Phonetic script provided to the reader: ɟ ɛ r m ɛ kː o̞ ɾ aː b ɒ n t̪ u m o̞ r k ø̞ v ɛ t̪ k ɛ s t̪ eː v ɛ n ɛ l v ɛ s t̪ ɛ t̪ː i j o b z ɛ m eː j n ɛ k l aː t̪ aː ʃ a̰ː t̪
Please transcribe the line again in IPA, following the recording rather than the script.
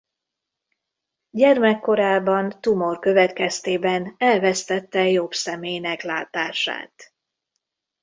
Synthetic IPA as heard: ɟ ɛ r m ɛ kː o̞ ɾ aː b ɒ n t̪ u m o̞ r k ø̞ v ɛ t̪ k ɛ s t̪ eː b ɛ n ɛ l v ɛ s t̪ ɛ t̪ː ɛ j o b s ɛ m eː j n ɛ k l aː t̪ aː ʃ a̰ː t̪